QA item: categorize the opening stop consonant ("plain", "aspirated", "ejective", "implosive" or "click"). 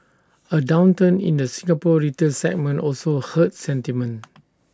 plain